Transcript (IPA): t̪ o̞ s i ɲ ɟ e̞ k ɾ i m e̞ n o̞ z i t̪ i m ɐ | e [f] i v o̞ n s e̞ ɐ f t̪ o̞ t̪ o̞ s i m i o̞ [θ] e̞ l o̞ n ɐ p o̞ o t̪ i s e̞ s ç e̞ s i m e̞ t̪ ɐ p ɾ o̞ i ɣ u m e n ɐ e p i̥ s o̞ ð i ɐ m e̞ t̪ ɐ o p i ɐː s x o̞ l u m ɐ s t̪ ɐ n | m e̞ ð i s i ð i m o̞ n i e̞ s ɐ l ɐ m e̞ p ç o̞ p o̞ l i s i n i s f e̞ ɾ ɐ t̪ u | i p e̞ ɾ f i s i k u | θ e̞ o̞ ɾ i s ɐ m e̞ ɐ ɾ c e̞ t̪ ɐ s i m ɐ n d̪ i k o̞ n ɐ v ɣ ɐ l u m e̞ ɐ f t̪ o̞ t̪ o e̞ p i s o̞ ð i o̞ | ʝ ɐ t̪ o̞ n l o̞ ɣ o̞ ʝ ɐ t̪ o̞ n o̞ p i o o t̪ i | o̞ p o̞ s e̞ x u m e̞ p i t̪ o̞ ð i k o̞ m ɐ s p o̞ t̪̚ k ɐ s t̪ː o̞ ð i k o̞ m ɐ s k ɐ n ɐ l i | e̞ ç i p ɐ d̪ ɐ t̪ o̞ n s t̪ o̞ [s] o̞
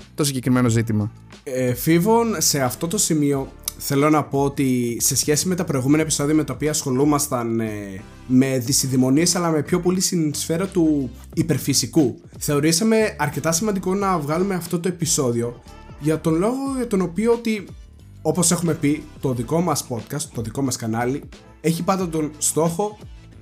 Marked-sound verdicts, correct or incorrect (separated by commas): correct, correct, incorrect